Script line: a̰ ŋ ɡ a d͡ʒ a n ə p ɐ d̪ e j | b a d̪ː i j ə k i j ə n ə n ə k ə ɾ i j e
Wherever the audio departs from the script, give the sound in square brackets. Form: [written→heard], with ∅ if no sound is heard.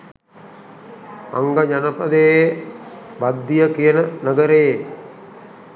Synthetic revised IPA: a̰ ŋ ɡ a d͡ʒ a n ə p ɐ d̪ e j | b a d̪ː i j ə k i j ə n ə n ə [k→ɡ] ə ɾ [i→e] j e